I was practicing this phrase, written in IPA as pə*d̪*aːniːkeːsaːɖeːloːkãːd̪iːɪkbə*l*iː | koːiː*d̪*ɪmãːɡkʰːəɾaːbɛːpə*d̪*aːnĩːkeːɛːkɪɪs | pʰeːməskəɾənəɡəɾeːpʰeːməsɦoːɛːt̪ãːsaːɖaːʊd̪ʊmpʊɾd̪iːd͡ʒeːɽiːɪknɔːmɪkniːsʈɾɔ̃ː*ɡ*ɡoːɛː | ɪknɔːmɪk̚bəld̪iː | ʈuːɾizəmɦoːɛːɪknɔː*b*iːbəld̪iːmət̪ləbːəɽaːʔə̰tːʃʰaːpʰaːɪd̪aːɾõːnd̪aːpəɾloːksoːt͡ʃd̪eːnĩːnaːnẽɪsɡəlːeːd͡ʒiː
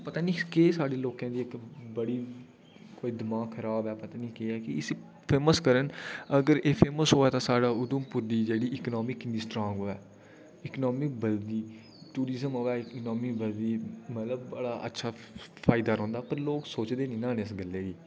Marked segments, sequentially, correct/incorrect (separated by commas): incorrect, incorrect, correct, incorrect, incorrect, incorrect